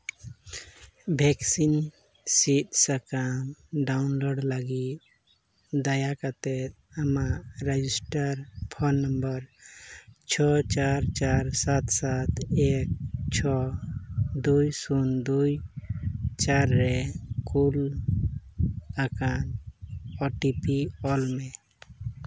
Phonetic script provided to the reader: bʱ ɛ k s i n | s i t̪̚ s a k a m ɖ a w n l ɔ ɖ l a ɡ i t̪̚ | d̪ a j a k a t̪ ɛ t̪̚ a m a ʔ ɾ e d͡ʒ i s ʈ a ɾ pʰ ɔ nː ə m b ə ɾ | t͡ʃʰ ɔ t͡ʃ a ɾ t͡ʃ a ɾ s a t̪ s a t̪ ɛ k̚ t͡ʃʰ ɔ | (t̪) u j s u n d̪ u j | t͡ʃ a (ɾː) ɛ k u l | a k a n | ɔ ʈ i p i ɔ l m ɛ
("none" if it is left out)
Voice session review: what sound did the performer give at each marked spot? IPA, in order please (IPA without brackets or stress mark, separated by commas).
d̪, ɾː